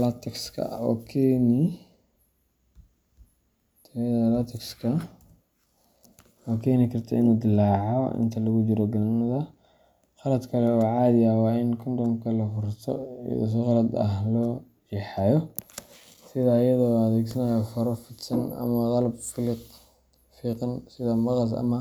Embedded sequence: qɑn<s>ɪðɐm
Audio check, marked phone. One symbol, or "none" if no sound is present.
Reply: s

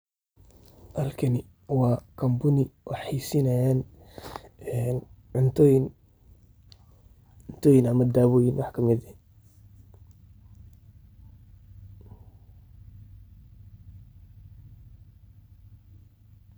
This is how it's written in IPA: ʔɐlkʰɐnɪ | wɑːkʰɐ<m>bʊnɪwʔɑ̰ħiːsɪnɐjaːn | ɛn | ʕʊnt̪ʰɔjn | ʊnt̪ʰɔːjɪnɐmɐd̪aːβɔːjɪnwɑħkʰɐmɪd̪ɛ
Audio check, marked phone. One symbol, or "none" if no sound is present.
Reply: m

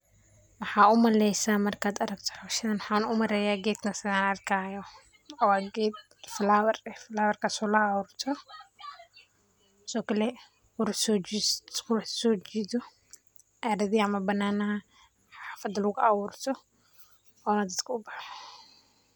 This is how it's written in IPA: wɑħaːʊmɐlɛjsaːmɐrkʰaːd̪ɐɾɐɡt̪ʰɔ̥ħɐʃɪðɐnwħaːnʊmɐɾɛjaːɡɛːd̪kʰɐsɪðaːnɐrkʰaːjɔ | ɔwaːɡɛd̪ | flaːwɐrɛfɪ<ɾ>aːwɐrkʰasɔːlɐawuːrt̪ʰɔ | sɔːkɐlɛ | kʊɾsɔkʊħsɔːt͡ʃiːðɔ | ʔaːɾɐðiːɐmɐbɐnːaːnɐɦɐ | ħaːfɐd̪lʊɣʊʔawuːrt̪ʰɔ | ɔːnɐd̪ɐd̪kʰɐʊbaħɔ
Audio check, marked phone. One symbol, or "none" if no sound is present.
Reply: l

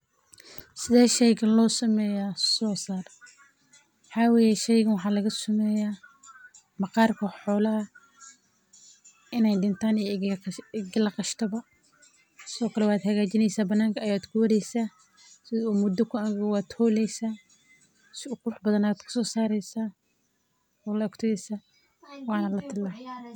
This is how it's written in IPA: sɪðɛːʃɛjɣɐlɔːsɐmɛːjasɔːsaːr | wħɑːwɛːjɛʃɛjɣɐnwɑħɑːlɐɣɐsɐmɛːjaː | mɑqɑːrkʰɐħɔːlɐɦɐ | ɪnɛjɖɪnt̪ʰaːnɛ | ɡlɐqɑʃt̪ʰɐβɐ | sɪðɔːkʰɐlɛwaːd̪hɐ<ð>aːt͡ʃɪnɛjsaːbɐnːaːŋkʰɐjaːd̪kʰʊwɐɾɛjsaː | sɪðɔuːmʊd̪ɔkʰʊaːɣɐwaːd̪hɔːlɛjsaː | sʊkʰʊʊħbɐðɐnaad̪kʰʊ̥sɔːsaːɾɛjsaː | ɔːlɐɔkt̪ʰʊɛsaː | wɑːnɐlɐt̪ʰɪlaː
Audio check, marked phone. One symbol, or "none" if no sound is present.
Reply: ɣ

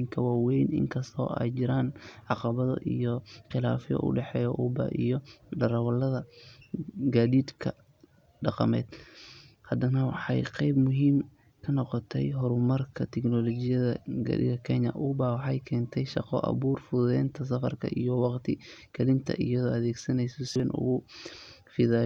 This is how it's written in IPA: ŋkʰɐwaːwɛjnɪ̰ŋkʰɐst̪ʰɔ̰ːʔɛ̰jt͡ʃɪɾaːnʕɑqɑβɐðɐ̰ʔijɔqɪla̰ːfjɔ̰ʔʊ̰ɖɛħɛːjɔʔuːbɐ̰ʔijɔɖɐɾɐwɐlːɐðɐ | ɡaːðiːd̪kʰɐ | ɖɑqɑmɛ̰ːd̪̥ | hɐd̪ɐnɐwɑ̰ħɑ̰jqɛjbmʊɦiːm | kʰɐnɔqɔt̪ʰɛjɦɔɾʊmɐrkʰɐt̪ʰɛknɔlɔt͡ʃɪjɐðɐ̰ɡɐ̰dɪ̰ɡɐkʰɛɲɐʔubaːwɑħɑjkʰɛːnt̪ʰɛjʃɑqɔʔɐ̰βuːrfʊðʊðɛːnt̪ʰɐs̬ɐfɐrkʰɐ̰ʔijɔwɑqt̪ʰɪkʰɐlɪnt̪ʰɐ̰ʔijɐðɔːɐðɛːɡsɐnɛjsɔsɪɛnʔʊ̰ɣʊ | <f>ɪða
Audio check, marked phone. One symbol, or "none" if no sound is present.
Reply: f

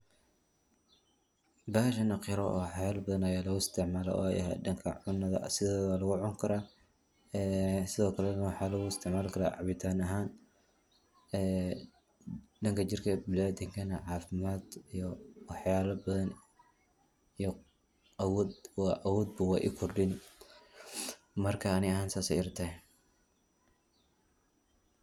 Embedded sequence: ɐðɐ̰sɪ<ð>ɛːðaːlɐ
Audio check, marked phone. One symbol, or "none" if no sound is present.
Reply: ð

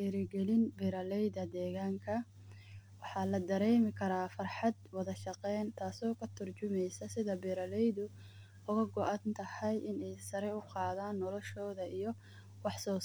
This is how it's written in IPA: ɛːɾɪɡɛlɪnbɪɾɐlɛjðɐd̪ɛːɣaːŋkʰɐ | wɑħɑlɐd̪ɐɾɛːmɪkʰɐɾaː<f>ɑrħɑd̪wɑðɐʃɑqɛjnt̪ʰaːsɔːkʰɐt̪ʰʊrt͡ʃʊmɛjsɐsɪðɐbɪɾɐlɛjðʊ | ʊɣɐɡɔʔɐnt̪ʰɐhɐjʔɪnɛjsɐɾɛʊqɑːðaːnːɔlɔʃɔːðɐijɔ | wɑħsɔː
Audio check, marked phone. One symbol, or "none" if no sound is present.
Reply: f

